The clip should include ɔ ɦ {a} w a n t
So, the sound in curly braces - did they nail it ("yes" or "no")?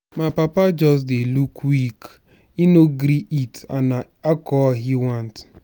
no